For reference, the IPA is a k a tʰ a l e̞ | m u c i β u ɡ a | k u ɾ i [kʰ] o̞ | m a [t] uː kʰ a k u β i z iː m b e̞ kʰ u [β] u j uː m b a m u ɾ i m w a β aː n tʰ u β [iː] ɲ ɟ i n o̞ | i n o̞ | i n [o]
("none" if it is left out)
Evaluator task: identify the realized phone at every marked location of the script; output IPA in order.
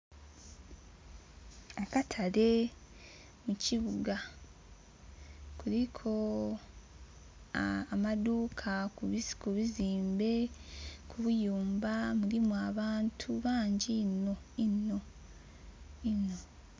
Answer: kʰ, d, β, aː, o

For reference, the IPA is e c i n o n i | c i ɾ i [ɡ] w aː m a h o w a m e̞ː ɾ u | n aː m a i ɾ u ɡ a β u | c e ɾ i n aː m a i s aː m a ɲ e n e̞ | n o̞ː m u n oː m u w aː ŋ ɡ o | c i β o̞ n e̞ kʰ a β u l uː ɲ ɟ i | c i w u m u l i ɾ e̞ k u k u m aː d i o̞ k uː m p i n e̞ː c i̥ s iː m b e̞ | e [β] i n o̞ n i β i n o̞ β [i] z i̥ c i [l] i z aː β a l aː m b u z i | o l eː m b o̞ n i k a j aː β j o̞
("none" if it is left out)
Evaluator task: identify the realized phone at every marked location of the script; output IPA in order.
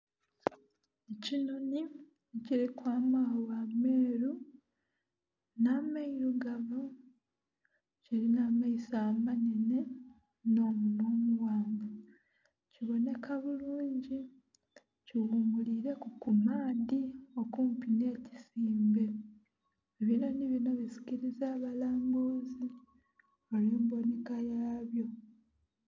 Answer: k, β, i, ɾ

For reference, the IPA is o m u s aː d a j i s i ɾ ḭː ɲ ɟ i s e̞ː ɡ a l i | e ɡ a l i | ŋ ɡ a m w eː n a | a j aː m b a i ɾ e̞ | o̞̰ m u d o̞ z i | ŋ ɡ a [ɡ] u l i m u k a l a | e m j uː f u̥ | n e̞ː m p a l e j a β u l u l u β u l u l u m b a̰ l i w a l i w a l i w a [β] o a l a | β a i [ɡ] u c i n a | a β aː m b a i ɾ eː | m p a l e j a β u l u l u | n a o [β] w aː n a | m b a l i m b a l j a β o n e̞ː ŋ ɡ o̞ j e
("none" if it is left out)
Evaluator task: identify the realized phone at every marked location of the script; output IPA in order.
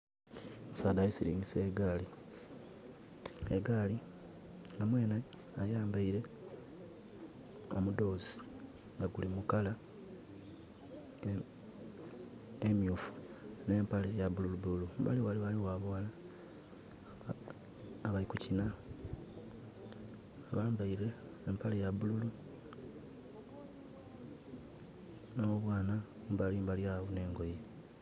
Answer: ɡ, β, k, β

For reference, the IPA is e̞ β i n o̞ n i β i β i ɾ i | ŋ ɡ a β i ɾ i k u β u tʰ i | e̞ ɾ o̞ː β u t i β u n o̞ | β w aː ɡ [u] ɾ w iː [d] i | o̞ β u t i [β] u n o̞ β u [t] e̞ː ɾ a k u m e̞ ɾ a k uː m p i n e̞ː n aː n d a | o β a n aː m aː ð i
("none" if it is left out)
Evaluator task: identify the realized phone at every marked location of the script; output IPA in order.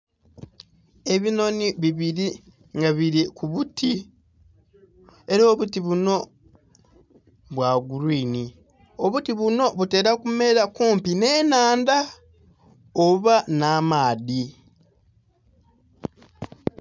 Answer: u, n, β, t

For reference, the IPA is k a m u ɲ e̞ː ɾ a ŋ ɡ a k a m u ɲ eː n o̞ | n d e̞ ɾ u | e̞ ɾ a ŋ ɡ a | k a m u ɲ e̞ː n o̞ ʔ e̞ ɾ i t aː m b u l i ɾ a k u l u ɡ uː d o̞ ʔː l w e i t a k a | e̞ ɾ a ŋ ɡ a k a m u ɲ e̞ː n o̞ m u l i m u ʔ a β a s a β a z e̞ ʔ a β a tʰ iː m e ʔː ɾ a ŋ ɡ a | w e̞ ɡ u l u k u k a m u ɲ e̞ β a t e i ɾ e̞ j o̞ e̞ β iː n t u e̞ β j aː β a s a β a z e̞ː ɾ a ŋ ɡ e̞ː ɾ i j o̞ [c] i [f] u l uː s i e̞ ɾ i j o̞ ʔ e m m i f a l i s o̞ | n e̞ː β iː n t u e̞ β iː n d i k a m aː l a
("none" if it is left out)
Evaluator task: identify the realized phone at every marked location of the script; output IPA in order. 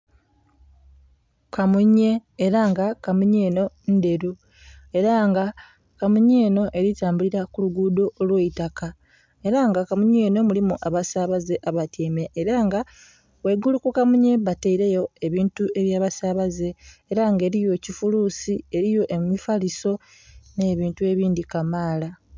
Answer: c, f

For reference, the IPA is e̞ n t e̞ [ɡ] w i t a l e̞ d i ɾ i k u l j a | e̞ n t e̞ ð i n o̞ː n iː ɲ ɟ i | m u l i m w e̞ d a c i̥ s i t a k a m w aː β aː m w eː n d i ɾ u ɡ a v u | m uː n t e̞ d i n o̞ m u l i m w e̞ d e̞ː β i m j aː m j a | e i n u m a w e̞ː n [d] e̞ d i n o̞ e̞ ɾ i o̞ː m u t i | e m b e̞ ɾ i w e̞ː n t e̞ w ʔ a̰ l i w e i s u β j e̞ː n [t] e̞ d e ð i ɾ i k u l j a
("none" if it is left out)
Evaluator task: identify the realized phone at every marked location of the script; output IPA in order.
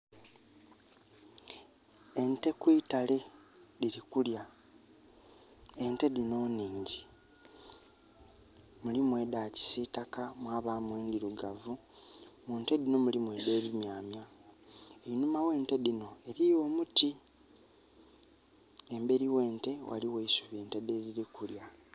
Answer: k, t, t

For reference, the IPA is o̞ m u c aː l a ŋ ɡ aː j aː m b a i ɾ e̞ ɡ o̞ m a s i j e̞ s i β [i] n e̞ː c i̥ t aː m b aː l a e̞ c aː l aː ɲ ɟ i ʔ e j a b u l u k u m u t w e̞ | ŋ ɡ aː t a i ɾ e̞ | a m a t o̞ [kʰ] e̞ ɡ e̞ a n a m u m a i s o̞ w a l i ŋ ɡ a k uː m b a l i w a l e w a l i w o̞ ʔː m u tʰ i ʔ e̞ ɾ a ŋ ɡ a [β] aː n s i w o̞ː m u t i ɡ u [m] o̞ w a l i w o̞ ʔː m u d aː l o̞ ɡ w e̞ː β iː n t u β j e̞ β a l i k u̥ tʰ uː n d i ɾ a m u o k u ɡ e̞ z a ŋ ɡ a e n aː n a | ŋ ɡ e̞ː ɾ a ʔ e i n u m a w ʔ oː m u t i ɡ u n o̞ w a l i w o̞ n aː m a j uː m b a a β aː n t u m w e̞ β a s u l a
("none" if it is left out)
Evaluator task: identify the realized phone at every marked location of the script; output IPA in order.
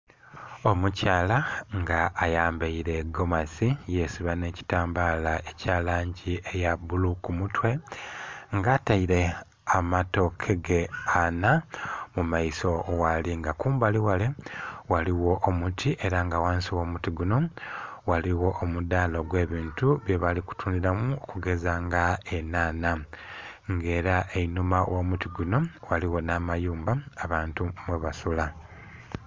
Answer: a, kʰ, w, n

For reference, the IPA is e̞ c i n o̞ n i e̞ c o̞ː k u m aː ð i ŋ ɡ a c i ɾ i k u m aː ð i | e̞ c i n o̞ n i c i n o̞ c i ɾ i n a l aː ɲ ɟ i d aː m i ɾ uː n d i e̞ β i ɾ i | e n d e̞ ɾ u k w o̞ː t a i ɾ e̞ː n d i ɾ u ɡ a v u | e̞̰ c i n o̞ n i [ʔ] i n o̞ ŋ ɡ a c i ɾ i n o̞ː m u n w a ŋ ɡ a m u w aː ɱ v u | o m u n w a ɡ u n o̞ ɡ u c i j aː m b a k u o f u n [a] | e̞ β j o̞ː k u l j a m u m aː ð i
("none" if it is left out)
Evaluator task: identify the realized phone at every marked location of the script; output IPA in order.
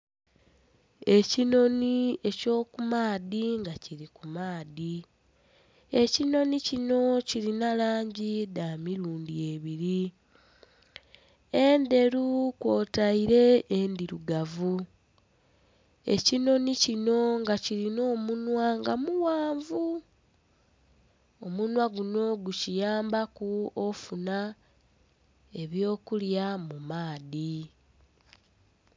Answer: c, a

